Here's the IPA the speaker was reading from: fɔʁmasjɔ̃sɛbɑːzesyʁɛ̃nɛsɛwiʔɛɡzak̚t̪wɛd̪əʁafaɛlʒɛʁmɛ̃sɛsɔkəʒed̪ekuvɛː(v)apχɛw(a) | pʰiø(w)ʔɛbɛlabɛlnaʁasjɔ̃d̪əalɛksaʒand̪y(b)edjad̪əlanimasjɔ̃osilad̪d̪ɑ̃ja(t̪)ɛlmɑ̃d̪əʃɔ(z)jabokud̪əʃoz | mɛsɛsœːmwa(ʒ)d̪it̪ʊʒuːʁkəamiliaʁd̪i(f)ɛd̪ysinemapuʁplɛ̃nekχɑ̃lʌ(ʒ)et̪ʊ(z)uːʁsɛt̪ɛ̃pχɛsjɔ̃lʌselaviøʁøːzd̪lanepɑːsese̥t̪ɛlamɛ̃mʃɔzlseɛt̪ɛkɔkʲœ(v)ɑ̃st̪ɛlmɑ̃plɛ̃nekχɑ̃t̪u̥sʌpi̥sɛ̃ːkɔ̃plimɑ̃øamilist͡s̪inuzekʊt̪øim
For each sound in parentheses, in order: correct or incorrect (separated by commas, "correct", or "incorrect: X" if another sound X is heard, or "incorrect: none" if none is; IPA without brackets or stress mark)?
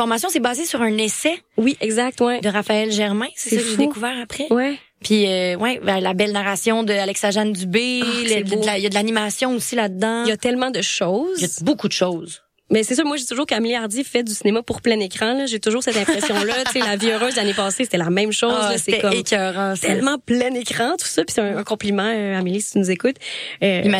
incorrect: ʁ, incorrect: ɛ, correct, correct, correct, correct, correct, correct, correct, incorrect: ʒ, incorrect: ʁ